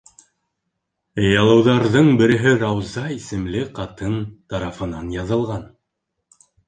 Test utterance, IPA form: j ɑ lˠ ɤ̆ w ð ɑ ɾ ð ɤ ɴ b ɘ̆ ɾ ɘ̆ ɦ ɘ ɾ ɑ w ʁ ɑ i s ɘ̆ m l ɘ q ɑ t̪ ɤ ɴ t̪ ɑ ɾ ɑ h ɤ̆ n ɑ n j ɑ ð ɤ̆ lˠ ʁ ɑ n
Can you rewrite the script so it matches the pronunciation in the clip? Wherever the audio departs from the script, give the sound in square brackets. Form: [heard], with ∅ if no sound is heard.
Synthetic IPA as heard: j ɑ lˠ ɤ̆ w ð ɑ ɾ ð ɤ ɴ b ɘ̆ ɾ ɘ̆ ɦ ɘ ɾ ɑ w [z] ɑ i s ɘ̆ m l ɘ q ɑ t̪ ɤ [n] t̪ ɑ ɾ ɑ [f] ɤ̆ n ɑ n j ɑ ð ɤ̆ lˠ ʁ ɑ n